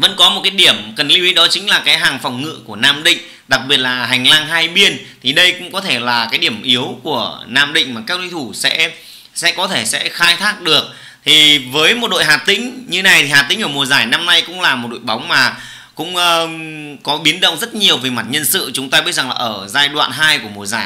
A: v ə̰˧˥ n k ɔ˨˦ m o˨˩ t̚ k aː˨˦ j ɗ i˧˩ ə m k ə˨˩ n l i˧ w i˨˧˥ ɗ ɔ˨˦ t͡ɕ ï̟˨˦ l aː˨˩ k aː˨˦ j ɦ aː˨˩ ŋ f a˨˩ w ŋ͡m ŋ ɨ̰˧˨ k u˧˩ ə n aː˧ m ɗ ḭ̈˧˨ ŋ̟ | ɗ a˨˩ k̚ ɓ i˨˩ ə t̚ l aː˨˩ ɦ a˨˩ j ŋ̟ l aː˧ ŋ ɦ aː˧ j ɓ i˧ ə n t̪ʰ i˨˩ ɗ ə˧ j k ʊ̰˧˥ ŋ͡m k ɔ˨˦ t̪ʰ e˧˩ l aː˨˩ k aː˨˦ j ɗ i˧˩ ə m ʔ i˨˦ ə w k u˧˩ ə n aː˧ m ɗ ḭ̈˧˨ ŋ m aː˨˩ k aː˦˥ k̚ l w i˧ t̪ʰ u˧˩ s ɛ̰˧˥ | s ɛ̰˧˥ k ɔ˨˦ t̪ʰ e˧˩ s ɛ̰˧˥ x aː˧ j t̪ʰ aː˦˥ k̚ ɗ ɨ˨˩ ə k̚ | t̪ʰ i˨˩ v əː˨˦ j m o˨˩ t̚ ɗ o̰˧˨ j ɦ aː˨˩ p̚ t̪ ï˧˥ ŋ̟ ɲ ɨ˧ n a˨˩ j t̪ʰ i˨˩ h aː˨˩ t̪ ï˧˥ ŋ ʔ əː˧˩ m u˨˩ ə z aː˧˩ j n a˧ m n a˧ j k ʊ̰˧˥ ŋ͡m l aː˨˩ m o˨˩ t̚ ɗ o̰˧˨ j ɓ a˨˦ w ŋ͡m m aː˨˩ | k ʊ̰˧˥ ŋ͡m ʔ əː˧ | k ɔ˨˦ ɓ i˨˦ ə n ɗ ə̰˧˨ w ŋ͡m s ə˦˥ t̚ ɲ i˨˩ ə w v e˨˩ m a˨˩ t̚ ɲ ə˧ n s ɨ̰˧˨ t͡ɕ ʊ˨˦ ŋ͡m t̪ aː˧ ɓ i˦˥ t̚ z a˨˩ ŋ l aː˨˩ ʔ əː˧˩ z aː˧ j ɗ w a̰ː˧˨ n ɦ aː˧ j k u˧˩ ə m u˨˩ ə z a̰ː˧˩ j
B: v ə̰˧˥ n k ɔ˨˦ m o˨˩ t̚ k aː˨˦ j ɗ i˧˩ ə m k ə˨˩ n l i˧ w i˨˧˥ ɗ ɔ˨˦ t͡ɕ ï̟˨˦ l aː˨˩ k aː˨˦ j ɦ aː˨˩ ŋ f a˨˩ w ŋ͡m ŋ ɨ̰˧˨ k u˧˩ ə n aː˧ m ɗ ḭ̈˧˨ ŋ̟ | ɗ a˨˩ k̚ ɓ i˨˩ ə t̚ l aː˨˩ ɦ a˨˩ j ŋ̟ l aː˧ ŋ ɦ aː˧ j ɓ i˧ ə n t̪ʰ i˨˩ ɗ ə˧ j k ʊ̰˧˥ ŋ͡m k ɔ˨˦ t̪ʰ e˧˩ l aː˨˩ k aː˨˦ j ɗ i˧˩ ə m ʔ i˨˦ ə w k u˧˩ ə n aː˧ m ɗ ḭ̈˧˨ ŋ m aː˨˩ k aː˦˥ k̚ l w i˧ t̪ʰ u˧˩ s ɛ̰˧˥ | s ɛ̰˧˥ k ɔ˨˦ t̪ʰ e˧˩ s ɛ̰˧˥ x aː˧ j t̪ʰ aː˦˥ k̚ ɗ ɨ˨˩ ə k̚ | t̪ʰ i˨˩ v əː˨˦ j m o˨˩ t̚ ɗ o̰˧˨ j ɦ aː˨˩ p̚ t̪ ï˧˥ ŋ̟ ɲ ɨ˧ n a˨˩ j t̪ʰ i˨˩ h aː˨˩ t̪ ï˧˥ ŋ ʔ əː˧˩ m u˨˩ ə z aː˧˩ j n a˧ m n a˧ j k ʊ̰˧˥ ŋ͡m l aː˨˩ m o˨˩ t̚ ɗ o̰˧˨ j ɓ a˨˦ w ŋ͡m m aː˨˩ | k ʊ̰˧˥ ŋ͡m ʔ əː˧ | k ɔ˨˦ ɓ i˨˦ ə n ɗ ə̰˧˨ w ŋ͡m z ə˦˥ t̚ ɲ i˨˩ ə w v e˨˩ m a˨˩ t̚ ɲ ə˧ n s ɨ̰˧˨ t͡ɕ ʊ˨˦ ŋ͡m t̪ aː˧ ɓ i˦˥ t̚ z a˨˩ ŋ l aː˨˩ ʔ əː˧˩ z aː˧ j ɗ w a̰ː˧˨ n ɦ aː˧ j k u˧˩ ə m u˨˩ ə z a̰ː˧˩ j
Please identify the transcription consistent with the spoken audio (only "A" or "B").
B